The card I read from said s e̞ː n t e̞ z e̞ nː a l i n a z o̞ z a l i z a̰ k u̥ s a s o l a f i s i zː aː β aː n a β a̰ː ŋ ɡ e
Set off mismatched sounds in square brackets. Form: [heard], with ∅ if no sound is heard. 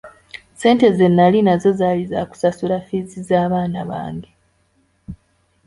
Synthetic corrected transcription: s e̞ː n t e̞ z e̞ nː a l i n a z o̞ z a l i z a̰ k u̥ s a s [u] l a f i [z] i [z] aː β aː n a β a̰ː ŋ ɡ e